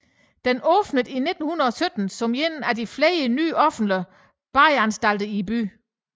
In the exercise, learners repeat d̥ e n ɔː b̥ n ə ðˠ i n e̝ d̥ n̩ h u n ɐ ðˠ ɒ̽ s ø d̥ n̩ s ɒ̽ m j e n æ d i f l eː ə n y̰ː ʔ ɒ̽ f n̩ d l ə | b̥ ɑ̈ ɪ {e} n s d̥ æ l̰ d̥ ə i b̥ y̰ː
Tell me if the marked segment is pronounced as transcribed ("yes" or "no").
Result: no